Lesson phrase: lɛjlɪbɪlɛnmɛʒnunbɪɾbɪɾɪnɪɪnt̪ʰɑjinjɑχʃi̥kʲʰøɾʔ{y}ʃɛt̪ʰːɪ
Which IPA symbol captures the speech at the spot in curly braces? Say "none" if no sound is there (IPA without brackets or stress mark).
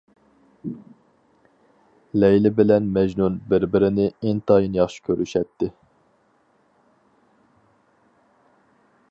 y